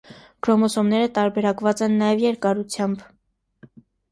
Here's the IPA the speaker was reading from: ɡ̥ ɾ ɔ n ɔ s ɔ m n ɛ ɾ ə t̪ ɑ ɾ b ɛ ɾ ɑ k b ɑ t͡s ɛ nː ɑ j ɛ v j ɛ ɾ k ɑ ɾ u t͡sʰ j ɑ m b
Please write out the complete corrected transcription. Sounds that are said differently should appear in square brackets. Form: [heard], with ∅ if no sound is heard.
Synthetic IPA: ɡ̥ ɾ ɔ [m] ɔ s ɔ m n ɛ ɾ ə t̪ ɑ ɾ b ɛ ɾ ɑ k [v] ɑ t͡s ɛ nː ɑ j ɛ v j ɛ ɾ k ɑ ɾ u t͡sʰ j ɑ m b